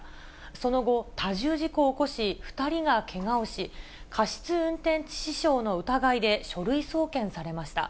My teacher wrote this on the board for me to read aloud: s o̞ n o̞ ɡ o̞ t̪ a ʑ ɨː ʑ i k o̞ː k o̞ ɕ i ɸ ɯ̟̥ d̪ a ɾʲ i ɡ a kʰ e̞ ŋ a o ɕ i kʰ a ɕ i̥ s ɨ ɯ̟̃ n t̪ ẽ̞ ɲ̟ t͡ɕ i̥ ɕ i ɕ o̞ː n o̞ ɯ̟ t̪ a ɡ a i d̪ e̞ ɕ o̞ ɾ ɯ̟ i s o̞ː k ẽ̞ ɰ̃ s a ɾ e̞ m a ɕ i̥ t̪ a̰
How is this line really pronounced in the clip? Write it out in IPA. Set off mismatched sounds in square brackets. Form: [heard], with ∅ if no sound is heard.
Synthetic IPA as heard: s o̞ n o̞ ɡ o̞ t̪ a ʑ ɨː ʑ i k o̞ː k o̞ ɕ i ɸ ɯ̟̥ [t̪] a ɾʲ i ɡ a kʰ e̞ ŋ a o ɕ i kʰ a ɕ i̥ [t͡s] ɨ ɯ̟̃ n t̪ ẽ̞ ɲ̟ t͡ɕ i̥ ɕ i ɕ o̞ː n o̞ ɯ̟ t̪ a ɡ a i d̪ e̞ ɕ o̞ ɾ ɯ̟ i s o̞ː k ẽ̞ ɰ̃ s a ɾ e̞ m a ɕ i̥ t̪ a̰

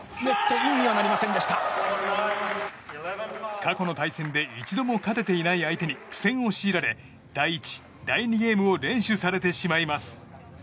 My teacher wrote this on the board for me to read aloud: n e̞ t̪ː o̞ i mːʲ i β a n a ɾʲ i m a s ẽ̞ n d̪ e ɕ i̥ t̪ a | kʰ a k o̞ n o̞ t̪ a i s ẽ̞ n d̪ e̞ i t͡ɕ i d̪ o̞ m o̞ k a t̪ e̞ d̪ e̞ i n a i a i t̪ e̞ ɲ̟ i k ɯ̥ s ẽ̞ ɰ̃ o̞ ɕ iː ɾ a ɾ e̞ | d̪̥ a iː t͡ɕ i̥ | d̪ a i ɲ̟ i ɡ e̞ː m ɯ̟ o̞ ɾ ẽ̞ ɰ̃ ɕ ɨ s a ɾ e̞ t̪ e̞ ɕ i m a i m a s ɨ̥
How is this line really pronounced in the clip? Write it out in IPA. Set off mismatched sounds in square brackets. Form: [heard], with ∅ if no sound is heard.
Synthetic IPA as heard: n e̞ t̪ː o̞ i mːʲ i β a n a ɾʲ i m a s ẽ̞ n d̪ e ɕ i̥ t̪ a | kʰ a k o̞ n o̞ t̪ a i s ẽ̞ n d̪ e̞ i t͡ɕ i d̪ o̞ m o̞ k a t̪ e̞ [t̪] e̞ i n a i a i t̪ e̞ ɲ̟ i k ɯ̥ s ẽ̞ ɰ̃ o̞ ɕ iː ɾ a ɾ e̞ | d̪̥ a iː t͡ɕ i̥ | d̪ a i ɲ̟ i ɡ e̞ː m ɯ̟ o̞ ɾ ẽ̞ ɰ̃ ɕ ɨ s a ɾ e̞ t̪ e̞ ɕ i m a i m a s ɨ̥

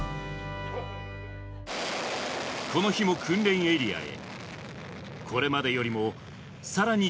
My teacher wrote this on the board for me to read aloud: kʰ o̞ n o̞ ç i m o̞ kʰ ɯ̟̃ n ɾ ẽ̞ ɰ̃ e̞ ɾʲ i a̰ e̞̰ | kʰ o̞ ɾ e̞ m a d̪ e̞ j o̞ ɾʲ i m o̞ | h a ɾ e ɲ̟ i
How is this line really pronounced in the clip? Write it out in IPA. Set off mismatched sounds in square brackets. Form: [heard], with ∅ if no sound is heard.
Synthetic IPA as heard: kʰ o̞ n o̞ ç i m o̞ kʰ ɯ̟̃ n ɾ ẽ̞ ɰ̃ e̞ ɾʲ i a̰ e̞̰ | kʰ o̞ ɾ e̞ m a d̪ e̞ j o̞ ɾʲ i m o̞ | [s] a ɾ [a] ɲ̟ i

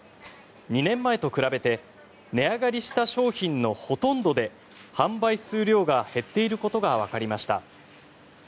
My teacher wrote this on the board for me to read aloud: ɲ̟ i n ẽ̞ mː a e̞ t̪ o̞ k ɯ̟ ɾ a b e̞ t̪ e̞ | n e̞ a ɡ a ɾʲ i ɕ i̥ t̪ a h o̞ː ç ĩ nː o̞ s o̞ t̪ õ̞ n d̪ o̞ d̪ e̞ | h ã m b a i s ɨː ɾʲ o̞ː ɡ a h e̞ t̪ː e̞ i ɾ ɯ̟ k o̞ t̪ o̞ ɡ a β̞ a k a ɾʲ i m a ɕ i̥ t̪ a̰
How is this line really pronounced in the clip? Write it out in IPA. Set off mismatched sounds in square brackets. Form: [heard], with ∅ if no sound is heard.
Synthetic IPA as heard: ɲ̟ i n ẽ̞ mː a e̞ t̪ o̞ k ɯ̟ ɾ a b e̞ t̪ e̞ | n e̞ a ɡ a ɾʲ i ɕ i̥ t̪ a [ɕ] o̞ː ç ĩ nː o̞ [h] o̞ t̪ õ̞ n d̪ o̞ d̪ e̞ | h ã m b a i s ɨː ɾʲ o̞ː ɡ a h e̞ t̪ː e̞ i ɾ ɯ̟ k o̞ t̪ o̞ ɡ a β̞ a k a ɾʲ i m a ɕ i̥ t̪ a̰

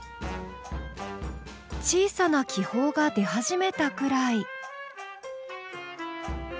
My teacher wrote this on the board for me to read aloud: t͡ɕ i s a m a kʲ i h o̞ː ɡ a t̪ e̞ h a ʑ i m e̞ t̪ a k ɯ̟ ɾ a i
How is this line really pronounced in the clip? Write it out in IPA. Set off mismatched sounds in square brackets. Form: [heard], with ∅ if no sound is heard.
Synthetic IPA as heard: t͡ɕ [iː] s a [n] a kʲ i h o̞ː ɡ a [d̪] e̞ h a ʑ i m e̞ t̪ a k ɯ̟ ɾ a i

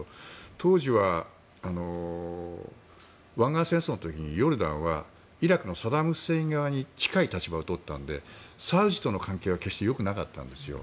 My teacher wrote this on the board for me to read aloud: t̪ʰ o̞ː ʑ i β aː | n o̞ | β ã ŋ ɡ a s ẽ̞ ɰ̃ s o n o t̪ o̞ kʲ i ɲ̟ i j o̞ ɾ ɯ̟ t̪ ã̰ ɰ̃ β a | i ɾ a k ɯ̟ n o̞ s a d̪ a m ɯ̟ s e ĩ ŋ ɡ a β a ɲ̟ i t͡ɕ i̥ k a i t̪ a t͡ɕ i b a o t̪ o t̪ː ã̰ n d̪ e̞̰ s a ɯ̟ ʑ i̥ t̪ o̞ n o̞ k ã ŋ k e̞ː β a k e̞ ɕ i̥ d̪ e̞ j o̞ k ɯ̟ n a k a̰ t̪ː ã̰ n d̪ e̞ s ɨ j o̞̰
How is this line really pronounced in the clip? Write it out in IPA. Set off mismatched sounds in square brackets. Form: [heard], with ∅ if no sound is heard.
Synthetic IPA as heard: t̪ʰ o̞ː ʑ i β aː | n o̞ | β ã ŋ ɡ a s ẽ̞ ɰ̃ s o n o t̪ o̞ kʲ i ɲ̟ i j o̞ ɾ ɯ̟ [d̪] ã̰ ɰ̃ β a | i ɾ a k ɯ̟ n o̞ s a d̪ a m ɯ̟ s e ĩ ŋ ɡ a β a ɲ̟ i t͡ɕ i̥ k a i t̪ a t͡ɕ i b a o t̪ o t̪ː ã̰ n d̪ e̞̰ s a ɯ̟ ʑ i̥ t̪ o̞ n o̞ k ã ŋ k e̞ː β a k e̞ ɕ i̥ [t̪] e̞ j o̞ k ɯ̟ n a k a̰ t̪ː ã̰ n d̪ e̞ s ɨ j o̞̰

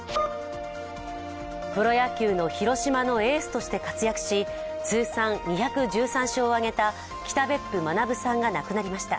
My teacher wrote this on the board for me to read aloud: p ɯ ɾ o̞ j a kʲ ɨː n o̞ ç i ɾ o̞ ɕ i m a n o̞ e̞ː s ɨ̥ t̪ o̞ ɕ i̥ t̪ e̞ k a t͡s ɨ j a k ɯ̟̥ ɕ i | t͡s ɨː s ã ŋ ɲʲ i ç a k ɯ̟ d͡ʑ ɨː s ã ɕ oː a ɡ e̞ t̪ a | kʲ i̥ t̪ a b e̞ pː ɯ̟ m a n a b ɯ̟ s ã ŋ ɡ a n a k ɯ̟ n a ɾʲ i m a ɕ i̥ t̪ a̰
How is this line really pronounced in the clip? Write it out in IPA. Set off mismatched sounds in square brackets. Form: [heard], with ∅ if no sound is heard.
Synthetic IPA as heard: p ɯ ɾ o̞ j a kʲ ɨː n o̞ ç i ɾ o̞ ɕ i m a n o̞ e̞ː s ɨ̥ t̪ o̞ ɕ i̥ t̪ e̞ k a t͡s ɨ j a k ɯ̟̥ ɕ i | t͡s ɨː s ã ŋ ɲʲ i ç a k ɯ̟ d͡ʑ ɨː s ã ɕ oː a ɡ e̞ t̪ a | kʲ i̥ t̪ a b e̞ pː ɯ̟ m a n a b ɯ̟ s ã ŋ ɡ a n a k ɯ̟ n a ɾʲ i m a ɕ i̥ t̪ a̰

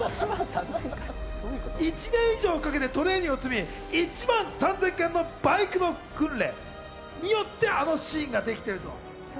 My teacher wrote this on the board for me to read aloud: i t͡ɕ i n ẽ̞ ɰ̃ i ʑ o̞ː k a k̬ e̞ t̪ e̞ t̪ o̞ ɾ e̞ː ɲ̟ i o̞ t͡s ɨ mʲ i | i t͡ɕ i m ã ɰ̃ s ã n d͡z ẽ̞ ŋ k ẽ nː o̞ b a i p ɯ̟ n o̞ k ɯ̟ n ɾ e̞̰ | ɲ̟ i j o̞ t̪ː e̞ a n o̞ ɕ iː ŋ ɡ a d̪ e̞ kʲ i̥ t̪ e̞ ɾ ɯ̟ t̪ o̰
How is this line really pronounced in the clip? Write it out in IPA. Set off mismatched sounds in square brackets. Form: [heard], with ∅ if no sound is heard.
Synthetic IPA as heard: i t͡ɕ i n ẽ̞ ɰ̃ i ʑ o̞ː k a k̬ e̞ t̪ e̞ t̪ o̞ ɾ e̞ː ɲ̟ i o̞ t͡s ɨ mʲ i | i t͡ɕ i m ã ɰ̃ s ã n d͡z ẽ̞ ŋ k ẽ nː o̞ b a i [k] ɯ̟ n o̞ k [ɯ̟̃] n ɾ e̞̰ | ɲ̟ i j o̞ t̪ː e̞ a n o̞ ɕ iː ŋ ɡ a d̪ e̞ kʲ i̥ t̪ e̞ ɾ ɯ̟ t̪ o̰

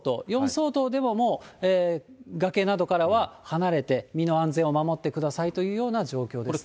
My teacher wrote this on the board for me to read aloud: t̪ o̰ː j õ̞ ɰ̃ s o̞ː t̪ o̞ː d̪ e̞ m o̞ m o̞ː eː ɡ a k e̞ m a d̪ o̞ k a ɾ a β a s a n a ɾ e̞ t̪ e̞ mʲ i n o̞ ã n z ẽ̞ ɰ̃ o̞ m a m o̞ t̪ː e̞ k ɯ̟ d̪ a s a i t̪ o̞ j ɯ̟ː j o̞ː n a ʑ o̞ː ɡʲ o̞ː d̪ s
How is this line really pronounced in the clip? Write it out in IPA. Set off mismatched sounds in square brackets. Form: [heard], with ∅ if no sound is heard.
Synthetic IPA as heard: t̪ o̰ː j õ̞ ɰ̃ s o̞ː t̪ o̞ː d̪ e̞ m o̞ m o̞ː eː ɡ a k e̞ [n] a d̪ o̞ k a ɾ a β a [h] a n a ɾ e̞ t̪ e̞ mʲ i n o̞ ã n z ẽ̞ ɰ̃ o̞ m a m o̞ t̪ː e̞ k ɯ̟ d̪ a s a i t̪ o̞ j ɯ̟ː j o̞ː n a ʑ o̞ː [kʲ] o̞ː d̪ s

